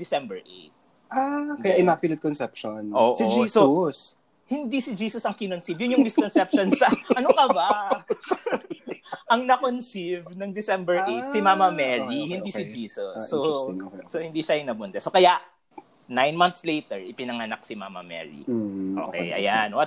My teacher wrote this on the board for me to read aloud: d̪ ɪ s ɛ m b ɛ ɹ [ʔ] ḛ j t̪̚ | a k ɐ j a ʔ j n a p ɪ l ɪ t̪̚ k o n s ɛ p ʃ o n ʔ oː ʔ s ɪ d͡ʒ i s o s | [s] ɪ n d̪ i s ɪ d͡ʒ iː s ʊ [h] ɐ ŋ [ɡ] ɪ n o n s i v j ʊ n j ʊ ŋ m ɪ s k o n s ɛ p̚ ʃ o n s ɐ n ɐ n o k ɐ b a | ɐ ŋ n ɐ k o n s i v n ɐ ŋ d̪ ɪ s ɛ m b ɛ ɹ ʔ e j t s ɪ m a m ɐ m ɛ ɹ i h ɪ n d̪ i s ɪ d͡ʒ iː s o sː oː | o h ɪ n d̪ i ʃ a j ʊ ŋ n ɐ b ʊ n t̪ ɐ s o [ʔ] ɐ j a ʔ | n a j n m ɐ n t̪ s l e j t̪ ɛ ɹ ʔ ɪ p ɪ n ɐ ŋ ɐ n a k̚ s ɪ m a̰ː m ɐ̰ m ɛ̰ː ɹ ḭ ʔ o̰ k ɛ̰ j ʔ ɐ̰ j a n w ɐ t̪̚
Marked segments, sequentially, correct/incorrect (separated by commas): correct, incorrect, incorrect, incorrect, incorrect